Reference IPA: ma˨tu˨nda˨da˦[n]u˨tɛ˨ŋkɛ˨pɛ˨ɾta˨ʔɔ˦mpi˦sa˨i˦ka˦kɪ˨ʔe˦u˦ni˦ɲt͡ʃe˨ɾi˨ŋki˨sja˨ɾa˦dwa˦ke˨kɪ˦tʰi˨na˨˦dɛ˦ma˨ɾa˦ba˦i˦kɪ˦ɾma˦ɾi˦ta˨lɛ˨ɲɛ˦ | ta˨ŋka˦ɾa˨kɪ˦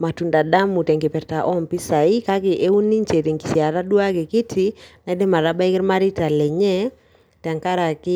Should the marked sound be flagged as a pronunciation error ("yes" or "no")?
yes